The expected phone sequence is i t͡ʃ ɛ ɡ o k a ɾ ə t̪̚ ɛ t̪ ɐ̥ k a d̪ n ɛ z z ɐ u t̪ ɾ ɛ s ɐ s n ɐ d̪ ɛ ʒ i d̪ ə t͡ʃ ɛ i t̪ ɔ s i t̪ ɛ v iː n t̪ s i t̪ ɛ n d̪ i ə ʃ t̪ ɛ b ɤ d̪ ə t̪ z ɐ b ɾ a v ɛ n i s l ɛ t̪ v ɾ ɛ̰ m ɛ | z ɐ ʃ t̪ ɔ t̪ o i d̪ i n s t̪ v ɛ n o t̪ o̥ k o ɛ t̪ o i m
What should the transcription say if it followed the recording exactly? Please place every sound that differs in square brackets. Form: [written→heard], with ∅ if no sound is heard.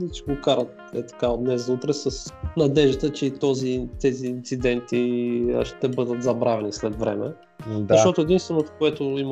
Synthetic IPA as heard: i t͡ʃ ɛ ɡ o k a ɾ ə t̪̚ ɛ t̪ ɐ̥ k a d̪ n ɛ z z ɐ u t̪ ɾ ɛ s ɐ s n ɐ d̪ ɛ ʒ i [d̪→t̪] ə t͡ʃ ɛ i t̪ ɔ [s→z] i t̪ ɛ [v→z] iː n t̪ s i [t̪→d̪] ɛ n [d̪→t̪] i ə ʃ t̪ ɛ b ɤ d̪ ə t̪ z ɐ b ɾ a v ɛ n i s l ɛ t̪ v ɾ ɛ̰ m ɛ | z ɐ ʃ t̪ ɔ t̪ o [i→ɛ] d̪ i n s t̪ v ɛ n o t̪ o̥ k o ɛ t̪ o i m